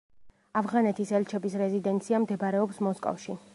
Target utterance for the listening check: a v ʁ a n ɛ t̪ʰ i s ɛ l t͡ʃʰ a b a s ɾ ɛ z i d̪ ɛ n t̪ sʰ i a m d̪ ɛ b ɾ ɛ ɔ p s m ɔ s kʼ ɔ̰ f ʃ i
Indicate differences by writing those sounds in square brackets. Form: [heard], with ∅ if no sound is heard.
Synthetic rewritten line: a v ʁ a n ɛ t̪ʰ i s ɛ l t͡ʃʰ [ɛ] b [i] s ɾ ɛ z i d̪ ɛ n t̪ sʰ i a m d̪ ɛ b ɾ ɛ ɔ p s m ɔ s kʼ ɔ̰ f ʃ i